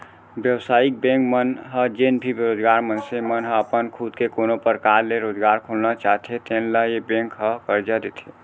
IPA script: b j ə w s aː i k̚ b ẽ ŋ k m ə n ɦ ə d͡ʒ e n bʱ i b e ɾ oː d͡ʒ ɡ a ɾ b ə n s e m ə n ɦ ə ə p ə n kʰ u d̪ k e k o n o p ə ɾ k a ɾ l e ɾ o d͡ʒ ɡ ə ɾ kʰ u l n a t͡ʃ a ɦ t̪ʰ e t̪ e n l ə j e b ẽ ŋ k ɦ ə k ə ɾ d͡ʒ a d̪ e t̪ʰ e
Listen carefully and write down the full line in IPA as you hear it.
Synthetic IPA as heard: b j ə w s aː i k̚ b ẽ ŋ k m ə n ɦ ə d͡ʒ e n bʱ i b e ɾ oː d͡ʒ ɡ a ɾ m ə n s e m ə n ɦ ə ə p ə n kʰ u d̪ k e k o n o p ə ɾ k a ɾ l e ɾ o d͡ʒ ɡ a ɾ kʰ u l n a t͡ʃ a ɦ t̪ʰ e t̪ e n l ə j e b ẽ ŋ k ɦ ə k ə ɾ d͡ʒ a d̪ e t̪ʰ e